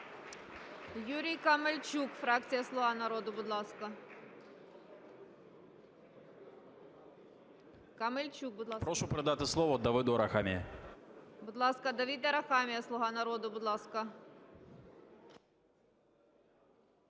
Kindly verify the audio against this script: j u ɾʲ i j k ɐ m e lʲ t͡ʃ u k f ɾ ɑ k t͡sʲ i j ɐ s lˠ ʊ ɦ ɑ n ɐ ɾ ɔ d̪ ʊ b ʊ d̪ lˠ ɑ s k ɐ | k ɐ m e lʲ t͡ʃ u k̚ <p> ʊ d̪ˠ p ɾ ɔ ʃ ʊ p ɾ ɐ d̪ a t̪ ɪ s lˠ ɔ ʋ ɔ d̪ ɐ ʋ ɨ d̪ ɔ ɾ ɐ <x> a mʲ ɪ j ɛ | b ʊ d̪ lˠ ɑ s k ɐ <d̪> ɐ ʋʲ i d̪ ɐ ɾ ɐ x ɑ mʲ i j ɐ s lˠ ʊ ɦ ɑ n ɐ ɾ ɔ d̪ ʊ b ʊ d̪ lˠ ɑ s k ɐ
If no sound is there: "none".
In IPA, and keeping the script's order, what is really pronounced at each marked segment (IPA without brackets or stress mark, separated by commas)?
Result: b, x, d̪